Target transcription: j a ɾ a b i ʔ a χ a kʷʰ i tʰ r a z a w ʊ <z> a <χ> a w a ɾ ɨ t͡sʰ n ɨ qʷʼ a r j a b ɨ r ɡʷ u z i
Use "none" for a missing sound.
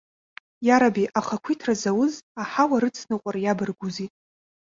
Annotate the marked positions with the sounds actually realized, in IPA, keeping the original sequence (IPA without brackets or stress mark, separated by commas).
z, ħ